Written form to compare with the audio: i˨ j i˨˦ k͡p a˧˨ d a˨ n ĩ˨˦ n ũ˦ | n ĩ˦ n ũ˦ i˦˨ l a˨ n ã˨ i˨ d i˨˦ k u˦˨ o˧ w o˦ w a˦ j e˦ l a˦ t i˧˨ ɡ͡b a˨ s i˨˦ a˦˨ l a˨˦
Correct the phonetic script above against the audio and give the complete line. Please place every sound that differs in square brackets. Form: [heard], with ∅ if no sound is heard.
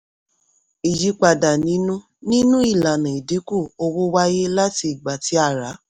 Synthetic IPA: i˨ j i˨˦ k͡p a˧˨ d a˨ n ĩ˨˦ n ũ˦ | n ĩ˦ n ũ˦ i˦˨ l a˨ n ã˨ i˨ d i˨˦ k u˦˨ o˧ w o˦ w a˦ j e˦ l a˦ t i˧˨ ɡ͡b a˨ [t] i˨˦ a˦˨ [ɾ] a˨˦